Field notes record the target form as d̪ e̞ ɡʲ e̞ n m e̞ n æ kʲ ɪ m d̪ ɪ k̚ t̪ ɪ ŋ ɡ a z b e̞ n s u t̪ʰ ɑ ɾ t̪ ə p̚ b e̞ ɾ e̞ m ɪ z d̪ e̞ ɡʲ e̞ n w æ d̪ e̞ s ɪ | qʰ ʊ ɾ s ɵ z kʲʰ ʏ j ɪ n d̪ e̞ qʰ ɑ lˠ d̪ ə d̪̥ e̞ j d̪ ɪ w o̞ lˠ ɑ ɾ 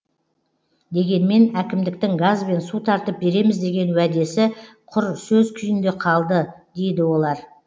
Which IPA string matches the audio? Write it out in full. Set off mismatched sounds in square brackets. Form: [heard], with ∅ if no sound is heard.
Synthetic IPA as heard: d̪ e̞ ɡʲ e̞ n m e̞ n æ kʲ ɪ m d̪ ɪ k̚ t̪ ɪ ŋ ɡ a z b e̞ n s u t̪ʰ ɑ ɾ t̪ ə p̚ b e̞ ɾ e̞ m ɪ z d̪ e̞ ɡʲ e̞ n w æ d̪ e̞ s ɪ | qʰ ʊ ɾ s ɵ z kʲʰ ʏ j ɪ n d̪ e̞ qʰ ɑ lˠ d̪ ə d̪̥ e̞ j d̪ ɪ w o̞ lˠ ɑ ɾ